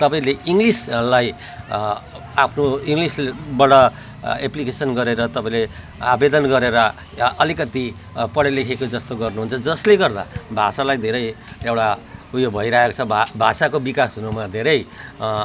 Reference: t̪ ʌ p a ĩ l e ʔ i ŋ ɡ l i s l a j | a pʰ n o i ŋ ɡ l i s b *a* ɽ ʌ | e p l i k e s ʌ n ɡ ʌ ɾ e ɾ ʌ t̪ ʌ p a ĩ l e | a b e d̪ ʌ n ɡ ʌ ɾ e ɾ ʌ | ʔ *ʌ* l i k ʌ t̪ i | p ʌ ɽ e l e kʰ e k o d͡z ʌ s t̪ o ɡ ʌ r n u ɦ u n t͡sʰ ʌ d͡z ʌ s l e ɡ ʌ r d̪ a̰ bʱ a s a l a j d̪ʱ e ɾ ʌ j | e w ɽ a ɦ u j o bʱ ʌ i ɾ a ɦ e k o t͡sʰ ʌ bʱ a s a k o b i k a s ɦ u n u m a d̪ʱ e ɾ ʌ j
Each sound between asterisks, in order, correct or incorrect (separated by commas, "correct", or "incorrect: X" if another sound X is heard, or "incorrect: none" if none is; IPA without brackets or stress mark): incorrect: ʌ, correct